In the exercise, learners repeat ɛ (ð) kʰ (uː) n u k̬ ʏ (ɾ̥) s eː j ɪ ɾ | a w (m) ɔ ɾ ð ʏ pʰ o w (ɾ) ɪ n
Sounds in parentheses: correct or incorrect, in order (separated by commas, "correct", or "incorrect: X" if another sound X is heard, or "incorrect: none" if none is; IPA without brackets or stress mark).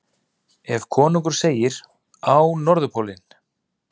incorrect: v, incorrect: ɔː, correct, incorrect: n, incorrect: l